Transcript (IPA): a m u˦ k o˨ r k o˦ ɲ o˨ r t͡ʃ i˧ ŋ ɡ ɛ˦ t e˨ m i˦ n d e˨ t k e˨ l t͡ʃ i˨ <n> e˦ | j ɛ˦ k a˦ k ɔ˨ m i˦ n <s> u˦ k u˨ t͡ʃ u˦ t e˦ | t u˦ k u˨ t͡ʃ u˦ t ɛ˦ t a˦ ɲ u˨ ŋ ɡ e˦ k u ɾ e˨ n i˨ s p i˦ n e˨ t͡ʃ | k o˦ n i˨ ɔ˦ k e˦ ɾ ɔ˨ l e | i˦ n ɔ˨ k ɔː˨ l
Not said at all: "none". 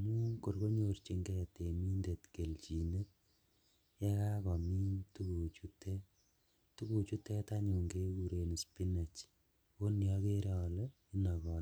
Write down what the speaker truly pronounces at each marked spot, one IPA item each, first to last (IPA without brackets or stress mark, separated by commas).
n, t